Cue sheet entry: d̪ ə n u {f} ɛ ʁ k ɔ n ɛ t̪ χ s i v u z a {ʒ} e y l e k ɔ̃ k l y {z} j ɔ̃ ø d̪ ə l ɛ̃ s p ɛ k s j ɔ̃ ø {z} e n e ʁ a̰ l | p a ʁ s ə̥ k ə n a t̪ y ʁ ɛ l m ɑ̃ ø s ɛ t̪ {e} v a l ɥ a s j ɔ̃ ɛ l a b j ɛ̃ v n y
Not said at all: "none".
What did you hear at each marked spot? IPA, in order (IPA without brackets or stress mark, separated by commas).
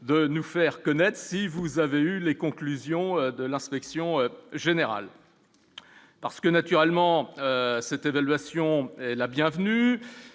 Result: f, v, z, ʒ, e